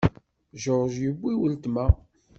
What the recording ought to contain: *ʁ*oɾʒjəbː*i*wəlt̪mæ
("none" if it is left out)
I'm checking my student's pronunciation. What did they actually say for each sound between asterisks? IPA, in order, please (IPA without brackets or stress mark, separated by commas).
ʒ, i